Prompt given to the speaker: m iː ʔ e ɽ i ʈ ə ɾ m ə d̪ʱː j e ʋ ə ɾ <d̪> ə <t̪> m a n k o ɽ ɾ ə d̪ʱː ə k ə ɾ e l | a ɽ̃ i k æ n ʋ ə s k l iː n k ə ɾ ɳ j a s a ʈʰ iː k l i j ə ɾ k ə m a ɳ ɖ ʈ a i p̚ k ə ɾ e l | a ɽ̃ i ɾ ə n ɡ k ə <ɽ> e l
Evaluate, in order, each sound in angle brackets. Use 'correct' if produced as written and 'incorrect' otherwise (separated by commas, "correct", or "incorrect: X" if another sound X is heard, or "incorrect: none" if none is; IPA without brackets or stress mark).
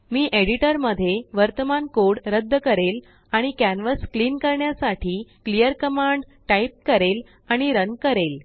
incorrect: t̪, incorrect: none, incorrect: ɾ